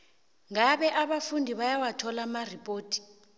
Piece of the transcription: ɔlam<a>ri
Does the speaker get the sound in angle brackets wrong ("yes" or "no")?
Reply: no